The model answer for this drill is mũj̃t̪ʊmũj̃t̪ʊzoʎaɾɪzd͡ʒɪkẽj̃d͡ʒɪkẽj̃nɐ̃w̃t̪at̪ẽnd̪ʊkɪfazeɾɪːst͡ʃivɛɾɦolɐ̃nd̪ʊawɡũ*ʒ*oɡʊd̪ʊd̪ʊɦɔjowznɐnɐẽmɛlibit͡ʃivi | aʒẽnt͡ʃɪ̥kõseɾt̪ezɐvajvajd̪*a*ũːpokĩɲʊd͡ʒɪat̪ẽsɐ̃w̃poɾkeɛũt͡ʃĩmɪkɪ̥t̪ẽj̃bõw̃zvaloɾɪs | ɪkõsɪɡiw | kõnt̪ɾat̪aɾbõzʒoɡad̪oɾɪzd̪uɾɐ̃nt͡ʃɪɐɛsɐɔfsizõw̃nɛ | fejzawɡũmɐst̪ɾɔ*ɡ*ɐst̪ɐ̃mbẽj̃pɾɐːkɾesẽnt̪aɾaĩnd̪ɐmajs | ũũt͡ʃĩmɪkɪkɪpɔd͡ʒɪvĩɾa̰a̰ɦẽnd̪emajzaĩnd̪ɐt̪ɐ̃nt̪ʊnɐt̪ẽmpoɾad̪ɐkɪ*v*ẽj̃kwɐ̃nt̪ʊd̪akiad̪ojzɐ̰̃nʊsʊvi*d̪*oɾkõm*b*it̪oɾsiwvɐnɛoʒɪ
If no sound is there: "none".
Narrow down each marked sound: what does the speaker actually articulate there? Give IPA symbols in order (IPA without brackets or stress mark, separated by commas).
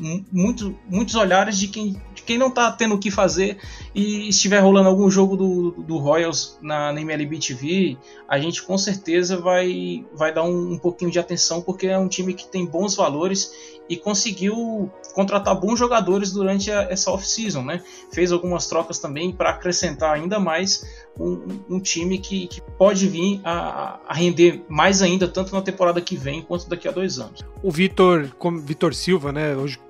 ʒ, a, k, v, t̪, v